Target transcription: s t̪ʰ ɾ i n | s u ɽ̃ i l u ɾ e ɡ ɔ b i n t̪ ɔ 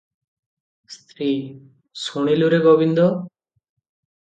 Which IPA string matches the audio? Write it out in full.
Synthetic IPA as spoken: s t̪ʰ ɾ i | s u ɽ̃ i l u ɾ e ɡ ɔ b i n d̪ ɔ